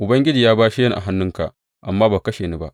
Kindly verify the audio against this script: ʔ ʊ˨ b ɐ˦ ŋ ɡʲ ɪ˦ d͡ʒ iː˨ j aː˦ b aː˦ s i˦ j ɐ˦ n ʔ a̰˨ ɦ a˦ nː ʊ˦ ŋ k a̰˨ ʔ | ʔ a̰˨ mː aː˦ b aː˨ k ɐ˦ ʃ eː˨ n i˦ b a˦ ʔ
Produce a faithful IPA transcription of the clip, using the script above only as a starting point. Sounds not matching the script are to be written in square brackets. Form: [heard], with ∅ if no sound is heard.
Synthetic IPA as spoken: ʔ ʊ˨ b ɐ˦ ŋ ɡʲ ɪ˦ d͡ʒ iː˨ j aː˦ b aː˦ [ʃ] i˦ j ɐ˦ n ʔ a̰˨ ɦ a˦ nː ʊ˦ ŋ k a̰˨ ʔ | ʔ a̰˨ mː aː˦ b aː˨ k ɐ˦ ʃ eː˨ n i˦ b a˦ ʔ

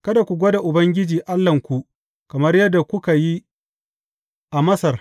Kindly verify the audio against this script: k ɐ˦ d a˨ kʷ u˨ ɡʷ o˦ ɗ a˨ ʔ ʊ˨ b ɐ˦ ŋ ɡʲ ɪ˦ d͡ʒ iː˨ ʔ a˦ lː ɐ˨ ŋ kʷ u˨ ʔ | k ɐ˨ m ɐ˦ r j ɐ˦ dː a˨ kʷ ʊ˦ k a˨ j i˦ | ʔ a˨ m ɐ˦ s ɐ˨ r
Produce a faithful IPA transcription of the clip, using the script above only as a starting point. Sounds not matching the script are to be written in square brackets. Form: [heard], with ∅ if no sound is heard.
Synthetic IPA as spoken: k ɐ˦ d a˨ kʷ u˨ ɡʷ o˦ [d] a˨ ʔ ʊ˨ b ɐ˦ ŋ ɡʲ ɪ˦ d͡ʒ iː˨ ʔ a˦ lː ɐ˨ ŋ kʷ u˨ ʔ | k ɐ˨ m ɐ˦ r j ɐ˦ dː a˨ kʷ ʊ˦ k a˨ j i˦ | ʔ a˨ m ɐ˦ s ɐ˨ r

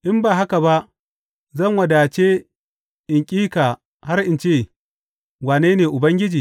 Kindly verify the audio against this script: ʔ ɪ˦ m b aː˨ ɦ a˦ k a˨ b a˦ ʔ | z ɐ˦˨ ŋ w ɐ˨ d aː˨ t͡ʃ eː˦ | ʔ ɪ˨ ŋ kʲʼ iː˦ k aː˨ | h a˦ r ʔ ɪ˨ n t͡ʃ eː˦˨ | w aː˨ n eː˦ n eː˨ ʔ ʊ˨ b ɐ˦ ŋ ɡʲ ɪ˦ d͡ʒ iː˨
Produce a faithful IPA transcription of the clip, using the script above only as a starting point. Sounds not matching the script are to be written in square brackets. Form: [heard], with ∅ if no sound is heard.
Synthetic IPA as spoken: ʔ ɪ˦ m b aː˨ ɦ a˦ k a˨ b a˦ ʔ | z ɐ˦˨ ŋ w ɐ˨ d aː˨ t͡ʃ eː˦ | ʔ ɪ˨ ŋ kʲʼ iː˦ k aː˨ | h a˦ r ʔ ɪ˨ n t͡ʃ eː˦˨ | w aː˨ n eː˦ n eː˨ ʔ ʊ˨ b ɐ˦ ŋ ɡʲ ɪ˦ d͡ʒ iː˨

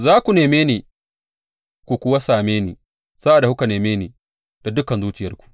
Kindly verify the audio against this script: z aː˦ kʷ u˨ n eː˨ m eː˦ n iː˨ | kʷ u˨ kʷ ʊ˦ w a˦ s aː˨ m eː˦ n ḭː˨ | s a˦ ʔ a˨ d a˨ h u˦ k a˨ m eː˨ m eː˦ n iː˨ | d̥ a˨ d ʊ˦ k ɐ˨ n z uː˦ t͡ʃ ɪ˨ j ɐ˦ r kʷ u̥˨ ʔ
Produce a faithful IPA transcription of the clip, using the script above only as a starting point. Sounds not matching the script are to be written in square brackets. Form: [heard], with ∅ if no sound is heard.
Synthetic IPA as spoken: z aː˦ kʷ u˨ n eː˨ m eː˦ n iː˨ | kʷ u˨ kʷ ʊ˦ w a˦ s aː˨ m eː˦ n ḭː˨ | s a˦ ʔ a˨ d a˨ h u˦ k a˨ [n] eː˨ m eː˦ n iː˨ | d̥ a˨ d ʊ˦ k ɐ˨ n z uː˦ t͡ʃ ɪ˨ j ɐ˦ r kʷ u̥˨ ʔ

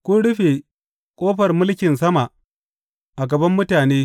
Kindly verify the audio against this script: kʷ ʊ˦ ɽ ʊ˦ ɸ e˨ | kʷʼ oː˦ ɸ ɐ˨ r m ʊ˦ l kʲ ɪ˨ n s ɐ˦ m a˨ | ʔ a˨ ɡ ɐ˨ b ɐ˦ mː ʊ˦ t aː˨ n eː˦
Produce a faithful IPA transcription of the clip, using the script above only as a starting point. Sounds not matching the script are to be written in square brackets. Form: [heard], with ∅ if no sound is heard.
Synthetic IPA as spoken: kʷ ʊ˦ ɽ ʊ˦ ɸ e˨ | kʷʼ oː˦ ɸ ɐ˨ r m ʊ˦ l kʲ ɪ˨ n s ɐ˦ m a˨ | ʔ a˨ ɡ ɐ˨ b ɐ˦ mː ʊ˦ t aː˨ n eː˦

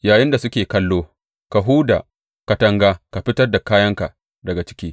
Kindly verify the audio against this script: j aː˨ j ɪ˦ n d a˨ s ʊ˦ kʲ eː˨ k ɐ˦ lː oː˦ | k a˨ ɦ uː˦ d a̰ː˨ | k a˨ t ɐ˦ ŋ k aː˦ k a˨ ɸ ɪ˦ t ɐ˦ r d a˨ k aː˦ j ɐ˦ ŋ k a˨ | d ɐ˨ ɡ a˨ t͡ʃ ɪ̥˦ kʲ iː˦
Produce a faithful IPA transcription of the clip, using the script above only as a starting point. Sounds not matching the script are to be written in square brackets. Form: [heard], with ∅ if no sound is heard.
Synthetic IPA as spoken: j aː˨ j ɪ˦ n d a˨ s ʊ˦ kʲ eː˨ k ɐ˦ lː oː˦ | k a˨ ɦ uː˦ d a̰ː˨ | k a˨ t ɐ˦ ŋ [ɡ] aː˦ k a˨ ɸ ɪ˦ t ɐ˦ r d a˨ k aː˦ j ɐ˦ ŋ k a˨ | d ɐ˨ ɡ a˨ t͡ʃ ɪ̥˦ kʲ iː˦

